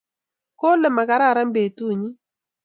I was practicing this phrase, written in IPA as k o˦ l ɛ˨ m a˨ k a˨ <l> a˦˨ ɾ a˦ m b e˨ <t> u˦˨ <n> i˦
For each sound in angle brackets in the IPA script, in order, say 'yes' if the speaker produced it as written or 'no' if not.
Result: no, yes, no

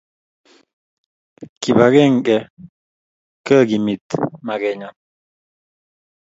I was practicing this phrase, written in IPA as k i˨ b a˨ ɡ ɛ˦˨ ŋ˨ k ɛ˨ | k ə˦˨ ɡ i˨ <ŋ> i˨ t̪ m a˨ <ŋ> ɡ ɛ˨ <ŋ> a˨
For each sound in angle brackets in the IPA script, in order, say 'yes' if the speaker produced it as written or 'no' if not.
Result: no, no, no

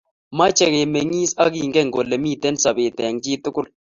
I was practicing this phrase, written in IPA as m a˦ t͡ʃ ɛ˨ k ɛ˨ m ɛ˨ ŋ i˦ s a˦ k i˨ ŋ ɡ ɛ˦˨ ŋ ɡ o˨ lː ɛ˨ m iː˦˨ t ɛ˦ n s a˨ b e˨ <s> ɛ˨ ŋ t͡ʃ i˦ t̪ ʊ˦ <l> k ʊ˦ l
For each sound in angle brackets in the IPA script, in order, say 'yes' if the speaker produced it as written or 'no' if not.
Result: no, no

